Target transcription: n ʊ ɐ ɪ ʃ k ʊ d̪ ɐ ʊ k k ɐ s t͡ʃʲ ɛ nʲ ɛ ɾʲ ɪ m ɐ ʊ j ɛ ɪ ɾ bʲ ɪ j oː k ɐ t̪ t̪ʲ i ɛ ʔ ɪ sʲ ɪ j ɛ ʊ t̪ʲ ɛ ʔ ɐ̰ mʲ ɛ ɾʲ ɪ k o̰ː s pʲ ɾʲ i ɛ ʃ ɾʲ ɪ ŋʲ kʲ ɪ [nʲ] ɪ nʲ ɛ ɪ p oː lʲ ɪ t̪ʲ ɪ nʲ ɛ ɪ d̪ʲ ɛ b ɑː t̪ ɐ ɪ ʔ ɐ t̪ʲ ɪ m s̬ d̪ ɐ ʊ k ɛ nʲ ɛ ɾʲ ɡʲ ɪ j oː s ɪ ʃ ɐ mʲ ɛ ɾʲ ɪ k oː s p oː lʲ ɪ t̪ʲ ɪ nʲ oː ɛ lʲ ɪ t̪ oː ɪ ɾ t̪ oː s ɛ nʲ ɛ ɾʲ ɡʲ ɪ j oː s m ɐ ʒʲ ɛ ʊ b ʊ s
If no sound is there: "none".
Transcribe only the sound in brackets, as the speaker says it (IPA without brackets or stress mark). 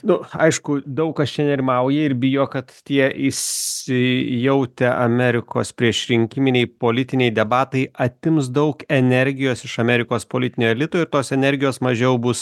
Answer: mʲ